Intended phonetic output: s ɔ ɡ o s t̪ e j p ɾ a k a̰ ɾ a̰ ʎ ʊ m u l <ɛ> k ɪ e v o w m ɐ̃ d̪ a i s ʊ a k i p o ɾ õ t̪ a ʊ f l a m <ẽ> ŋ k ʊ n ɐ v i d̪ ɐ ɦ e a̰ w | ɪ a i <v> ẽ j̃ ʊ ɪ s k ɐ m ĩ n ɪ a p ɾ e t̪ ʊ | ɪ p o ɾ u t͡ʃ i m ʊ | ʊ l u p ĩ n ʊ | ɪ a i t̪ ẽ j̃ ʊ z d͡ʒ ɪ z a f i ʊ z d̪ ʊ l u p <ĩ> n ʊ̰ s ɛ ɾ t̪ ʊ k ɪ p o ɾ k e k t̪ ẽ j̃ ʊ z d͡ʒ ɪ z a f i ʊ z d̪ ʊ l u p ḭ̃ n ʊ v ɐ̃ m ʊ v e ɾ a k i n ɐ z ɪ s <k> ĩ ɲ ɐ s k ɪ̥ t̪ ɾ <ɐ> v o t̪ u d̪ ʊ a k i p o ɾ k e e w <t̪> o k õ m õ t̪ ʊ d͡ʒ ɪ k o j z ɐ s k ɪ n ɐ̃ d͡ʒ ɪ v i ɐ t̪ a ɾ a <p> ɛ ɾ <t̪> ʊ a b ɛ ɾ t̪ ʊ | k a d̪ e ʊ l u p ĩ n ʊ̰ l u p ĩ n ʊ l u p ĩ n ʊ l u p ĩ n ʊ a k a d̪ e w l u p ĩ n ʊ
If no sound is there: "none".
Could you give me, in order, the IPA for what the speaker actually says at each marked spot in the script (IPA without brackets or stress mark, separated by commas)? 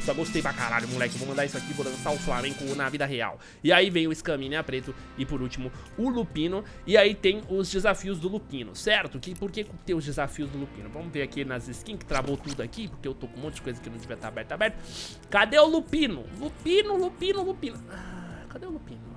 ɛ, ẽ, v, ĩ, k, a, t̪, b, t̪